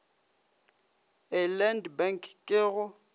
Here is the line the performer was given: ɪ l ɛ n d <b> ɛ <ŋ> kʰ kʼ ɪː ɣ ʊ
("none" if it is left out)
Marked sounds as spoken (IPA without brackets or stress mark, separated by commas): b, ŋ